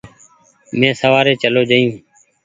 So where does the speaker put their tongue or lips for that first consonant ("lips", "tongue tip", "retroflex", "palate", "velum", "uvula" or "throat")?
lips